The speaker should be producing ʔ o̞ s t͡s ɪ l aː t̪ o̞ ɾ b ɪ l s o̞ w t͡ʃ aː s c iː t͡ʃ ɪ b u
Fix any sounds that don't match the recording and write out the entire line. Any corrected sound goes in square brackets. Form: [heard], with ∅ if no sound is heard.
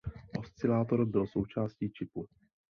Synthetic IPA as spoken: ʔ o̞ s t͡s ɪ l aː t̪ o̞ ɾ b ɪ l s o̞ w t͡ʃ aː s c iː t͡ʃ ɪ [p] u